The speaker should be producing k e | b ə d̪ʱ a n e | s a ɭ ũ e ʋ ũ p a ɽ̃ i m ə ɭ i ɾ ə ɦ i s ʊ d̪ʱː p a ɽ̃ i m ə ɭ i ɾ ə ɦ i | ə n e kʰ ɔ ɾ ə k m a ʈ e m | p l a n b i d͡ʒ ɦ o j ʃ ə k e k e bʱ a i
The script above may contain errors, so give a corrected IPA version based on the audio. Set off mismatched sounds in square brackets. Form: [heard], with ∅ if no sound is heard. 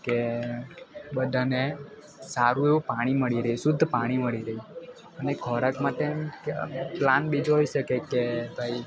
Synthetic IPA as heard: k e | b ə d̪ʱ a n e | s a [ɾ] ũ e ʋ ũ p a ɽ̃ i m ə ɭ i ɾ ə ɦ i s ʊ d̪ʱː p a ɽ̃ i m ə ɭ i ɾ ə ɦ i | ə n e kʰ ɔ ɾ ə k m a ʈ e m | p l a n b i d͡ʒ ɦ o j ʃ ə k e k e bʱ a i

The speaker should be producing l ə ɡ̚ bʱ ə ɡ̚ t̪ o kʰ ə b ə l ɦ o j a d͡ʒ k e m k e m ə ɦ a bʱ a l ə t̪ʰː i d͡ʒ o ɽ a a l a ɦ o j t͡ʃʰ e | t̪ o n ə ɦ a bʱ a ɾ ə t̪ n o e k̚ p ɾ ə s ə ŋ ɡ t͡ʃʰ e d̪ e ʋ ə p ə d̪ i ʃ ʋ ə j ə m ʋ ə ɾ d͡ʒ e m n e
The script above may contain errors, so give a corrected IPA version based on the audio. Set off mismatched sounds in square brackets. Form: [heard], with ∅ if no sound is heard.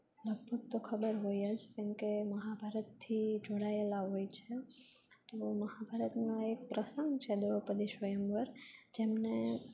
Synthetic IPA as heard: l ə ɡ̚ bʱ ə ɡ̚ t̪ o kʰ ə b ə [ɾ] ɦ o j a d͡ʒ k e m k e m ə ɦ a bʱ a [ɾ] ə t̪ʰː i d͡ʒ o ɽ a [e] l a ɦ o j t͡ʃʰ e | t̪ o [m] ə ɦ a bʱ a ɾ ə t̪ n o e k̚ p ɾ ə s ə ŋ ɡ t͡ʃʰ e d̪ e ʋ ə p ə d̪ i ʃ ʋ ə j ə m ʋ ə ɾ d͡ʒ e m n e

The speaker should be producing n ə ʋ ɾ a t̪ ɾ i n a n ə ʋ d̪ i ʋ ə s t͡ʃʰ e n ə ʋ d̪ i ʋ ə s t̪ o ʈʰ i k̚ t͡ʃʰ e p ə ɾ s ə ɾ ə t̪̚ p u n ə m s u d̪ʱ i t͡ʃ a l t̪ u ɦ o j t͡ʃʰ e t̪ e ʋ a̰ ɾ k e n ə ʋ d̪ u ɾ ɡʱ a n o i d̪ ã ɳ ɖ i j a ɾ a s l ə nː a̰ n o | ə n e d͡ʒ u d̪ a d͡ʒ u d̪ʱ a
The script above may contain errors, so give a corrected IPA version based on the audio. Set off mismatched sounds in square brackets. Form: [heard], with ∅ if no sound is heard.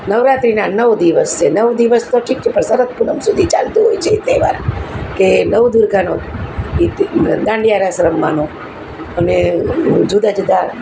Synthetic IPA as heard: n ə ʋ ɾ a t̪ ɾ i n a n ə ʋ d̪ i ʋ ə s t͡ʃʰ e n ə ʋ d̪ i ʋ ə s t̪ o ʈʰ i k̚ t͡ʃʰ e p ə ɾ s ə ɾ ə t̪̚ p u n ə m s u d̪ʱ i t͡ʃ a l t̪ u ɦ o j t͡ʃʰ e t̪ e ʋ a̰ ɾ k e n ə ʋ d̪ u ɾ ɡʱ a n o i d̪ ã ɳ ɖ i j a ɾ a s [ɾ] ə [mː] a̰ n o | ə n e d͡ʒ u d̪ a d͡ʒ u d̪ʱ a

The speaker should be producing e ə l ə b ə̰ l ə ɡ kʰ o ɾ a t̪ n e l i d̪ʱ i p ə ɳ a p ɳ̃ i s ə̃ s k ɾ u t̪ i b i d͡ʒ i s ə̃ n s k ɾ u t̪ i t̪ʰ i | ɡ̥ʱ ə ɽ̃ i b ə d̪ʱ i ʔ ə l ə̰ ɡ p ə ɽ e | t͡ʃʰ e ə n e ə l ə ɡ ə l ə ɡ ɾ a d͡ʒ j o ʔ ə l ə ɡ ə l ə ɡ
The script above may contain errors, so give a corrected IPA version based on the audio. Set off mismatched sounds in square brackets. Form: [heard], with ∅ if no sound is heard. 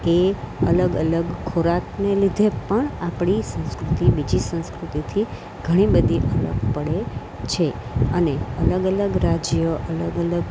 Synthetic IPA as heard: e ə l ə [ɡ] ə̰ l ə ɡ kʰ o ɾ a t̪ n e l i d̪ʱ [e] p ə ɳ a p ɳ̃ i s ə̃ s k ɾ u t̪ i b i d͡ʒ i s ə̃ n s k ɾ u t̪ i t̪ʰ i | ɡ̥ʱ ə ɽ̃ i b ə d̪ʱ i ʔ ə l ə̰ ɡ p ə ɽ e | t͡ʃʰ e ə n e ə l ə ɡ ə l ə ɡ ɾ a d͡ʒ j o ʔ ə l ə ɡ ə l ə ɡ

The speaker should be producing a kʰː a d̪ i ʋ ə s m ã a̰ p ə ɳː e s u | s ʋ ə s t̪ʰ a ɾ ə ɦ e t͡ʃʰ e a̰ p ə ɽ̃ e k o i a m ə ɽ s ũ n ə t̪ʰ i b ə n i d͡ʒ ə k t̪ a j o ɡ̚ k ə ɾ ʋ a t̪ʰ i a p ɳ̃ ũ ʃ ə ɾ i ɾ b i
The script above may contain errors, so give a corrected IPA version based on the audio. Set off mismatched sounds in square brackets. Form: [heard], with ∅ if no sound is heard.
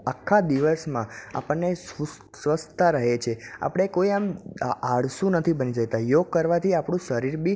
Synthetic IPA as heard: a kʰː a d̪ i ʋ ə s m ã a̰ p ə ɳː e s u | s ʋ ə s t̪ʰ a ɾ ə ɦ e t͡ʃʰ e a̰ p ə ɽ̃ e k o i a m [a] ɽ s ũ n ə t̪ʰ i b ə n i d͡ʒ ə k t̪ a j o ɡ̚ k ə ɾ ʋ a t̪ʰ i a p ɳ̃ ũ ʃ ə ɾ i ɾ b i

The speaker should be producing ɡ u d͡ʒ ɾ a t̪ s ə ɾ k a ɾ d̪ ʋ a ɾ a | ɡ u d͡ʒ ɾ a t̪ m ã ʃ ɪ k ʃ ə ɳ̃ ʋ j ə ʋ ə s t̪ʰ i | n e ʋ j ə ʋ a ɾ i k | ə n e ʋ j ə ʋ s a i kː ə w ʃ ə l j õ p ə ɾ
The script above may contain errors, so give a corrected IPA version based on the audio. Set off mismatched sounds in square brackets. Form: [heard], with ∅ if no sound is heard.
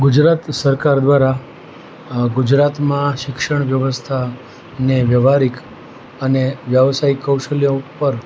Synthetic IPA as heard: ɡ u d͡ʒ ɾ a t̪ s ə ɾ k a ɾ d̪ ʋ a ɾ a | ɡ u d͡ʒ ɾ a t̪ m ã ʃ ɪ k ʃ ə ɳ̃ ʋ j ə ʋ ə s t̪ʰ [a] | n e ʋ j ə ʋ a ɾ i k | ə n e ʋ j ə ʋ s a i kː ə w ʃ ə l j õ p ə ɾ

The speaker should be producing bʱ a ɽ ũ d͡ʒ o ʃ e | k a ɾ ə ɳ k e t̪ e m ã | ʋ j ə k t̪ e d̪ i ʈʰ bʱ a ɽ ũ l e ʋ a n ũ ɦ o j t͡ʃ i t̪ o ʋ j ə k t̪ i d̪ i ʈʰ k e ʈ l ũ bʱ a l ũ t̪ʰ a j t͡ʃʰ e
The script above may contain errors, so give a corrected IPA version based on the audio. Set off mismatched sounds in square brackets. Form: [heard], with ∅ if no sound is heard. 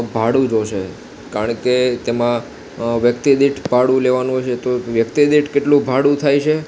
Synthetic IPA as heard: bʱ a ɽ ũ d͡ʒ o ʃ e | k a ɾ ə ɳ k e t̪ e m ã | ʋ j ə k t̪ [i] d̪ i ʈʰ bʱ a ɽ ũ l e ʋ a n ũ ɦ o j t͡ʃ [e] t̪ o ʋ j ə k t̪ i d̪ i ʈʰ k e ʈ l ũ bʱ a [ɽ] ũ t̪ʰ a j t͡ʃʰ e

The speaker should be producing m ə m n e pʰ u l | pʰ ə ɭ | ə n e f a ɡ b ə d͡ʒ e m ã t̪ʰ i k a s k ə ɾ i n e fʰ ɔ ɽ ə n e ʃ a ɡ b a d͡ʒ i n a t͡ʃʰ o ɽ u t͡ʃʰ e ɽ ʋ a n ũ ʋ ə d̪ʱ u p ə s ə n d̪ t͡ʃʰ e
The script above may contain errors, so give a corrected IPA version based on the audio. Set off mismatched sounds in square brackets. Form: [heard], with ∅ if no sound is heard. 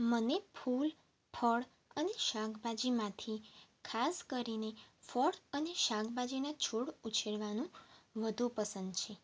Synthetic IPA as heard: m ə [∅] n e pʰ u l | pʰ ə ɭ | ə n e [ʃ] a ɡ b [a] d͡ʒ [i] m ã t̪ʰ i [kʰ] a s k ə ɾ i n e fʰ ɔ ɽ ə n e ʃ a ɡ b a d͡ʒ i n a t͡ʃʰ o ɽ u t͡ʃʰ e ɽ ʋ a n ũ ʋ ə d̪ʱ u p ə s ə n d̪ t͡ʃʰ e

